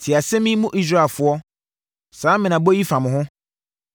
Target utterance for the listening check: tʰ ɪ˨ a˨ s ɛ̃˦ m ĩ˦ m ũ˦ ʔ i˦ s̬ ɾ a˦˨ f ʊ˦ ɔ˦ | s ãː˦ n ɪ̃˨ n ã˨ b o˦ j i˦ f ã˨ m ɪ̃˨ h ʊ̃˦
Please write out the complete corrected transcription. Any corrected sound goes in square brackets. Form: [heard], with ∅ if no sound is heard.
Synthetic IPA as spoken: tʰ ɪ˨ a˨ s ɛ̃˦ m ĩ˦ m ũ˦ ʔ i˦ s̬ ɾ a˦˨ f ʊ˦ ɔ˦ | s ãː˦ [m] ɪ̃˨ n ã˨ b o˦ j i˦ f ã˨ m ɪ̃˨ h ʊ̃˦